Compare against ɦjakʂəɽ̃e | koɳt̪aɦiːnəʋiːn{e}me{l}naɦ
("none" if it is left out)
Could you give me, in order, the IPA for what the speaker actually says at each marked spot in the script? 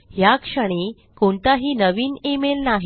e, l

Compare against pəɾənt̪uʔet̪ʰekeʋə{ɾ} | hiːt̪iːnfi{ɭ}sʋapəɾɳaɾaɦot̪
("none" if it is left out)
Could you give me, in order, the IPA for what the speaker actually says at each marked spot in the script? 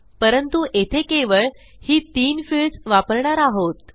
ɭ, ɭ

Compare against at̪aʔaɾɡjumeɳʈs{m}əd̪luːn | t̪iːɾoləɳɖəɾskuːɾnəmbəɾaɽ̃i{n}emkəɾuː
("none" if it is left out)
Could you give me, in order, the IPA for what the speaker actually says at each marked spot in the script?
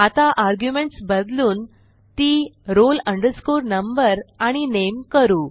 b, n

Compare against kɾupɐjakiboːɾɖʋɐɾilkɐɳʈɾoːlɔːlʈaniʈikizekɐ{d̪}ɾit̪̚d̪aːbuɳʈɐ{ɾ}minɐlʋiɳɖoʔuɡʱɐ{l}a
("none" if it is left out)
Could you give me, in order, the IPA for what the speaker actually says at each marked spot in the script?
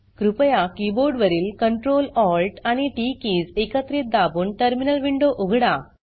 t̪, ɾ, ɽ

